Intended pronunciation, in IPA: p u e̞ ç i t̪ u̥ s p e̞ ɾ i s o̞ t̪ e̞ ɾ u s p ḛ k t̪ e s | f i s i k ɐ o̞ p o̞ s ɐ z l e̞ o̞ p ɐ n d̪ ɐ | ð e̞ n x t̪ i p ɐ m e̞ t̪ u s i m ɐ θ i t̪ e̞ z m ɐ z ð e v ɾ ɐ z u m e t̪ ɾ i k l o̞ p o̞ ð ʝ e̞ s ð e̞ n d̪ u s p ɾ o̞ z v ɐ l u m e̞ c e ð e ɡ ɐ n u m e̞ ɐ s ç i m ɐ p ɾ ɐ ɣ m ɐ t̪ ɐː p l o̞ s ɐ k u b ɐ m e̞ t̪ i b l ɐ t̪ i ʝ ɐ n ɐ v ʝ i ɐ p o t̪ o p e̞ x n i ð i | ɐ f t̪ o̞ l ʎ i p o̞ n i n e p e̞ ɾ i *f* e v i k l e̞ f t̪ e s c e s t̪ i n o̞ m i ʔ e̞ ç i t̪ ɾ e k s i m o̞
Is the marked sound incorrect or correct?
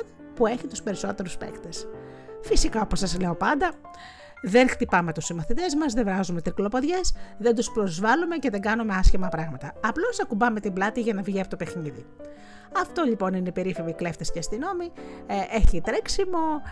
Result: correct